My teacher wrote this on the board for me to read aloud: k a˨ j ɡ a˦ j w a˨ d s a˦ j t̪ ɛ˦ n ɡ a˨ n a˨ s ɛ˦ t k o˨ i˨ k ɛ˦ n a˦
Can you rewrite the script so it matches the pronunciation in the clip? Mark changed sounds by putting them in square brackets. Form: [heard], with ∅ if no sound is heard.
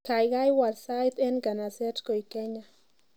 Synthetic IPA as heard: k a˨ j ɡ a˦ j w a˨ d s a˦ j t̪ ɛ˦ n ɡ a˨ n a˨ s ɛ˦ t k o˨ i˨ k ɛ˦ [ɲ] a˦